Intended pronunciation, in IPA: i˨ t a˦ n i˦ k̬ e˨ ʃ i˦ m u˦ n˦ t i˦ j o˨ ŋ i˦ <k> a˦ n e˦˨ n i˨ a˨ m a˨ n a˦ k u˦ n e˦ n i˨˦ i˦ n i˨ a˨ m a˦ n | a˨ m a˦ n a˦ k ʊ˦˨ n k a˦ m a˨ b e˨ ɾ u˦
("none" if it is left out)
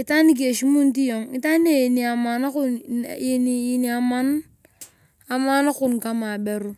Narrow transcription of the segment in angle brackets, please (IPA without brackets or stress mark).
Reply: t